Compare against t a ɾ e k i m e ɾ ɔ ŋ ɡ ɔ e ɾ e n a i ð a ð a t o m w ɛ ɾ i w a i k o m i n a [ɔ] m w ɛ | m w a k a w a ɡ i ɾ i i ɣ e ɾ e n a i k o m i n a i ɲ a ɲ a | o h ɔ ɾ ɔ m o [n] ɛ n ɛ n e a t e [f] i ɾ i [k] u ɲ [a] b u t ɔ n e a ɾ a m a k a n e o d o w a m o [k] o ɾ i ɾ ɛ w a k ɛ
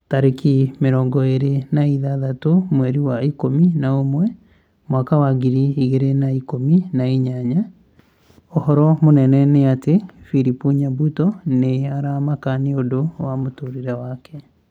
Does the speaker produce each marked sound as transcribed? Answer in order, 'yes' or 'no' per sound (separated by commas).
no, yes, yes, no, yes, no